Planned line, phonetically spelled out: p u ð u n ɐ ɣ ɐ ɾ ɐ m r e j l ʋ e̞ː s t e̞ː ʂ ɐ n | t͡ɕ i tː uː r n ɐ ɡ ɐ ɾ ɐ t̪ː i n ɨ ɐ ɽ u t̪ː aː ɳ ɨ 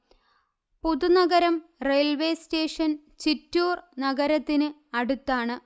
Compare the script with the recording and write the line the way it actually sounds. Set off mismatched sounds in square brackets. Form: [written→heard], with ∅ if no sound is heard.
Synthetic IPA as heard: p u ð u n ɐ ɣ ɐ ɾ ɐ m r e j l ʋ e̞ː s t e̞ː ʂ ɐ n | t͡ɕ i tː uː r n ɐ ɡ ɐ ɾ ɐ t̪ː i n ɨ ɐ ɽ u t̪ː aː ɳ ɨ